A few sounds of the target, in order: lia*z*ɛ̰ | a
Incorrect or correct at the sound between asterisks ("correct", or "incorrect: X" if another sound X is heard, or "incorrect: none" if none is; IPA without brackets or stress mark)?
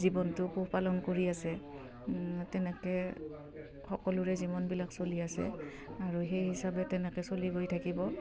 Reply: incorrect: s